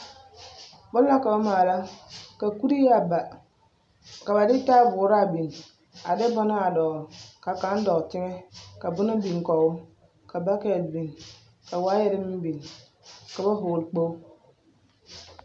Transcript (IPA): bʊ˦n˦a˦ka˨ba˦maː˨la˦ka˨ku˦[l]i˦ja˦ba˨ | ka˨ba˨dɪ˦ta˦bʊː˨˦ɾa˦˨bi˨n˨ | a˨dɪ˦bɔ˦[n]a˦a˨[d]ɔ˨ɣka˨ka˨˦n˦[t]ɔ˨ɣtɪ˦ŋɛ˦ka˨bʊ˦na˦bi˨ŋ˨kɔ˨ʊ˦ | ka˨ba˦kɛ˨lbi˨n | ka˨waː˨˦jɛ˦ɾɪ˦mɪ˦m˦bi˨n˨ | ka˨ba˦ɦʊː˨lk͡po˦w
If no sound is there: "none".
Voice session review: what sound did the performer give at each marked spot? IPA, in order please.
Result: ɾ, n, d, d

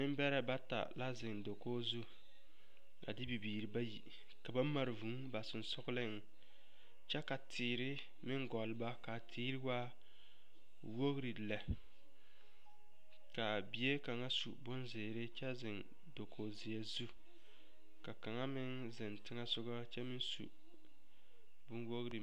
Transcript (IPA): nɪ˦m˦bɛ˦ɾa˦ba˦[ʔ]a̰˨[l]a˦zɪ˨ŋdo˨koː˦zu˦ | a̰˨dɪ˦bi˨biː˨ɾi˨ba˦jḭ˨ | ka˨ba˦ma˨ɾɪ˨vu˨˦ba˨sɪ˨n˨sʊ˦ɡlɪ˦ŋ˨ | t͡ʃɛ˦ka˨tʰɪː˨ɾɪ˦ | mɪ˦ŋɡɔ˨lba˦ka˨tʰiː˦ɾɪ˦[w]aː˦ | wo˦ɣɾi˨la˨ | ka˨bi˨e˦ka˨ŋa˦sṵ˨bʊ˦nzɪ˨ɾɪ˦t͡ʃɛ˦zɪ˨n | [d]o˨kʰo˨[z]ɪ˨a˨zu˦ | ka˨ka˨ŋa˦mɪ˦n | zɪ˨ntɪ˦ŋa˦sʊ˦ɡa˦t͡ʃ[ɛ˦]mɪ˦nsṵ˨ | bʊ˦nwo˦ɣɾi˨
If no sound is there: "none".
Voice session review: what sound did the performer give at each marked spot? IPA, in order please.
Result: t, l, w, d, z, ɛ˦

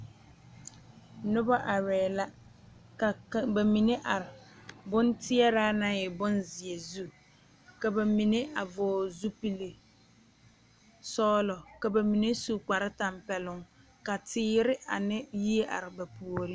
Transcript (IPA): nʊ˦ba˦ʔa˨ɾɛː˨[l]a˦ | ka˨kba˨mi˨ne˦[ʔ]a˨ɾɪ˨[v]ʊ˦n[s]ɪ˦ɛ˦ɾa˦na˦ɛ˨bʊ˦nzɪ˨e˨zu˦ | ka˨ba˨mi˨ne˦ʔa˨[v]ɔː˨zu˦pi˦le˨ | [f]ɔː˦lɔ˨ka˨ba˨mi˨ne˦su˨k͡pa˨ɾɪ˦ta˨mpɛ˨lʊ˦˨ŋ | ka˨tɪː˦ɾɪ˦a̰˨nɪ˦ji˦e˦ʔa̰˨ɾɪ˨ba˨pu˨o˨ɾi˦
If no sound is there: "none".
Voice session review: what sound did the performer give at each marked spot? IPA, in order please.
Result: l, ʔ, b, t, v, s

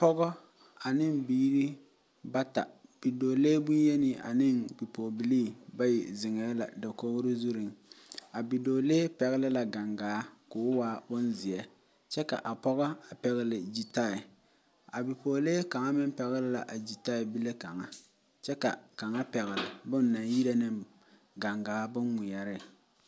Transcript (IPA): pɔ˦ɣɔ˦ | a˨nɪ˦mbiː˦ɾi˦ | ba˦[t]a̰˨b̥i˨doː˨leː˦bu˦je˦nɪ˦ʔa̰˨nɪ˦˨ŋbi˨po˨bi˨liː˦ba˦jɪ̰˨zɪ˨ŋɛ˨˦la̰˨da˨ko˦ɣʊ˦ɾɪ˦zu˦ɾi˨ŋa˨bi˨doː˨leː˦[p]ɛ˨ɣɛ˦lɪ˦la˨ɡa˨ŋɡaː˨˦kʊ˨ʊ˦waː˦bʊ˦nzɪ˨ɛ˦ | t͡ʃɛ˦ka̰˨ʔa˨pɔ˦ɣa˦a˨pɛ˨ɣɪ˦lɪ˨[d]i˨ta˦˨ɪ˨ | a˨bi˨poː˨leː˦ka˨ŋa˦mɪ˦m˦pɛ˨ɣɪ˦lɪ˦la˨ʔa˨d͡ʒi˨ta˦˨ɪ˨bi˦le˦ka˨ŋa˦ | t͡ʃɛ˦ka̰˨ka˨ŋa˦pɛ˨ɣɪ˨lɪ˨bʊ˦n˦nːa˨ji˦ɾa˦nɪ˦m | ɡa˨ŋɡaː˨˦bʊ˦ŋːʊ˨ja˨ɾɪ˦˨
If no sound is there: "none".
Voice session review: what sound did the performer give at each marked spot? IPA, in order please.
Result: t, p, d͡ʒ

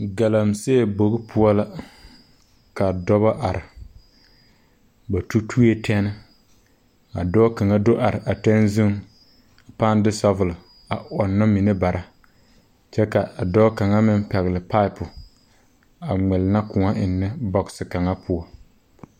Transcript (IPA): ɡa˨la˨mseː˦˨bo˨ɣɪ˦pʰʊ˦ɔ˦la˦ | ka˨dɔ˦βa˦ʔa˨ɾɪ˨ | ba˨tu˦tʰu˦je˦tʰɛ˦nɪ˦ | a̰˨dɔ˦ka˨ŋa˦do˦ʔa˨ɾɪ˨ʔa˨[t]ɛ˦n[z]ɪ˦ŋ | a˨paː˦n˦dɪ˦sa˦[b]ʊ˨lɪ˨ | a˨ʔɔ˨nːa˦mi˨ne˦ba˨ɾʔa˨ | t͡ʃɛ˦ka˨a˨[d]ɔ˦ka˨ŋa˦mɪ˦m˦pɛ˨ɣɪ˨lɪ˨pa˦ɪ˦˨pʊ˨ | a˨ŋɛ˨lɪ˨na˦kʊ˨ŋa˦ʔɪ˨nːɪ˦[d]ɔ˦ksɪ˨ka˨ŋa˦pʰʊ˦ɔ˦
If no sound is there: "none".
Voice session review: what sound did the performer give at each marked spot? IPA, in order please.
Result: t, z, v, d, b

